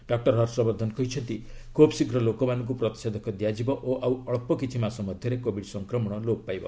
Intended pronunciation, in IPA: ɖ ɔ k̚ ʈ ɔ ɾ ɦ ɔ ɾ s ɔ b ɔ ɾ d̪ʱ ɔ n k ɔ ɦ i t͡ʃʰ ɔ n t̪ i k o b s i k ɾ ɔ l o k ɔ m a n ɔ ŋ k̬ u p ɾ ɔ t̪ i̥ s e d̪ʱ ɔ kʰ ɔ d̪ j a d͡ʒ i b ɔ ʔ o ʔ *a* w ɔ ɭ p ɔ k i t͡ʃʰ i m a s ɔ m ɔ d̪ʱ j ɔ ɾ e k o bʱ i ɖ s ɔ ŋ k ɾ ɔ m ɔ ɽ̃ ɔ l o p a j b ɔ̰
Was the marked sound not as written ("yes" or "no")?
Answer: no